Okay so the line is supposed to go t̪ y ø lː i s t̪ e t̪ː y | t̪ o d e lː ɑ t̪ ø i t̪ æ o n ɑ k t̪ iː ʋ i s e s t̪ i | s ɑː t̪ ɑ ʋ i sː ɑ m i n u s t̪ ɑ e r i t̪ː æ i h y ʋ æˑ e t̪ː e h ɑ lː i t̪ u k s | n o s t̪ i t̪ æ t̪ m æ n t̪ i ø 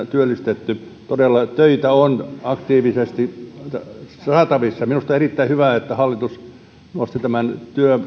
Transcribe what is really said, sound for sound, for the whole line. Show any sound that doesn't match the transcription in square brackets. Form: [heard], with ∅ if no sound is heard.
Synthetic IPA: t̪ y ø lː i s t̪ e t̪ː y | t̪ o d e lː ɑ t̪ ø i t̪ æ o n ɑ k t̪ iː ʋ i s e s t̪ i | s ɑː t̪ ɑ ʋ i sː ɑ m i n u s t̪ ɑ e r i t̪ː æ i h y ʋ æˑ e t̪ː [æ] h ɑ lː i t̪ u [∅] s | n o s t̪ i t̪ æ [∅] m æ n t̪ [y] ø